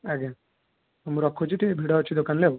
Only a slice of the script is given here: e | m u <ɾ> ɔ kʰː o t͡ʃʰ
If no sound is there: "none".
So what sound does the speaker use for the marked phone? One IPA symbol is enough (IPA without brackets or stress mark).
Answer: ɾ